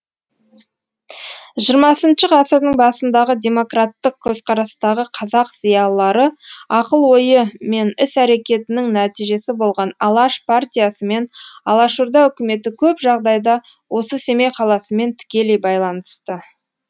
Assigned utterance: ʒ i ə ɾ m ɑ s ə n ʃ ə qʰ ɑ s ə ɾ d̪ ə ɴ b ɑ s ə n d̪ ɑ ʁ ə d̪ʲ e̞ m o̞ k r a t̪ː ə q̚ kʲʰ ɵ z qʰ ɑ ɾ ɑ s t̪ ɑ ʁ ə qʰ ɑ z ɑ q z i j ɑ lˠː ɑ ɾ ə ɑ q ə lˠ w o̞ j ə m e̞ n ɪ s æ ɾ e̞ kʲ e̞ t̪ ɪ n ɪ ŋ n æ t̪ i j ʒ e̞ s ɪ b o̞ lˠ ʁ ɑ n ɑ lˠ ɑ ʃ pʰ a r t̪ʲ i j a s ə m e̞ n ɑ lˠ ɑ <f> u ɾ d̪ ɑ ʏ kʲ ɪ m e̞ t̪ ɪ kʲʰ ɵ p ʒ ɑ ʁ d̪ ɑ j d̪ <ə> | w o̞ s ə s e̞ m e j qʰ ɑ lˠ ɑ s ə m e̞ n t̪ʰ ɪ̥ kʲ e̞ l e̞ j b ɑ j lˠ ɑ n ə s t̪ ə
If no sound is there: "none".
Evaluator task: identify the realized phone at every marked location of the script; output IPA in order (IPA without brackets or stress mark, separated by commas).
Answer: ʃ, ɑ